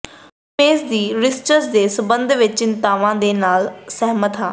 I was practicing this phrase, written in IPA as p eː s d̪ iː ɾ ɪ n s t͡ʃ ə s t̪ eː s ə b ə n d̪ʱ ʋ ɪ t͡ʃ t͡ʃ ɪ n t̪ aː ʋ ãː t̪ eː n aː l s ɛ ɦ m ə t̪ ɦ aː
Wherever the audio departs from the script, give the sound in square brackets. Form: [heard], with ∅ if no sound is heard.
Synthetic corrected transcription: p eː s d̪ iː ɾ ɪ [∅] s t͡ʃ ə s [d̪] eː s ə b ə n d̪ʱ ʋ ɪ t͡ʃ t͡ʃ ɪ n t̪ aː ʋ ãː [d̪] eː n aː l s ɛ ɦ m ə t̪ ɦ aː